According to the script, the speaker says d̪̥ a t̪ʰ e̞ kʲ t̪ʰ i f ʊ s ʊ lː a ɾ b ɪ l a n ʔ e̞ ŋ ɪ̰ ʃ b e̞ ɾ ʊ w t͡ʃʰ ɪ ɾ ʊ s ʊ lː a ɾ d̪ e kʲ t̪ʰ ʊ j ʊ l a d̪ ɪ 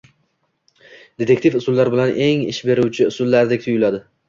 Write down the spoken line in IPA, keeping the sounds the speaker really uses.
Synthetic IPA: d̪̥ e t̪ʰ e̞ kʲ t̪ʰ i f ʊ s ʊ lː a ɾ b ɪ l a n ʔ e̞ ŋ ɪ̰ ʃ b e̞ ɾ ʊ w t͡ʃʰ ɪ ʊ s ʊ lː a ɾ d̪ e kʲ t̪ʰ ʊ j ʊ l a d̪ ɪ